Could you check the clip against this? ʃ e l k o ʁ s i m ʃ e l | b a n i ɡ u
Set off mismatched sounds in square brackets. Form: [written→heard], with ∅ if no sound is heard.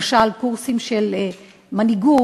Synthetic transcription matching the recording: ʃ [e→a] l k [o→u] ʁ s i m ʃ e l | [b→m] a n i ɡ u